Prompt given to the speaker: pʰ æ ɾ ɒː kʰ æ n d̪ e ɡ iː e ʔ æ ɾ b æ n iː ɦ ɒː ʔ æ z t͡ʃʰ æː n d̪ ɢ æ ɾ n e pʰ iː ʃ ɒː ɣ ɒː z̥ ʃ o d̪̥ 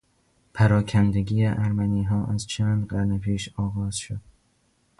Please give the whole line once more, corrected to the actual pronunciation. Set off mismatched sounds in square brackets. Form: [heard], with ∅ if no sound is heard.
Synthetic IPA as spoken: pʰ æ ɾ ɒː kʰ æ n d̪ e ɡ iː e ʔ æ ɾ [m] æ n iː ɦ ɒː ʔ æ z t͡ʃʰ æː n d̪ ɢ æ ɾ n e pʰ iː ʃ ɒː ɣ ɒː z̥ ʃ o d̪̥